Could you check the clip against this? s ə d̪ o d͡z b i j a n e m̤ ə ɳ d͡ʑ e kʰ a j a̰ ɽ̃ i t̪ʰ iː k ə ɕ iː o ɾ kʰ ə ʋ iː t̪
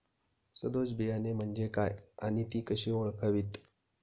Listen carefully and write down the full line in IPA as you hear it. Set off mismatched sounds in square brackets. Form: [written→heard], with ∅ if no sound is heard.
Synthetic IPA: s ə d̪ o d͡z b i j a n e m̤ ə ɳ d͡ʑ e [kʰ→k] a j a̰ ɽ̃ i [t̪ʰ→t̪] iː k ə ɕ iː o [ɾ→ɭ] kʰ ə ʋ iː t̪